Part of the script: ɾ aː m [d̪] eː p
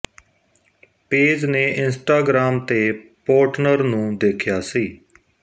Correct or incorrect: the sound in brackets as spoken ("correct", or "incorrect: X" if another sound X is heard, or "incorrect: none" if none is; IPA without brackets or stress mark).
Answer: incorrect: t̪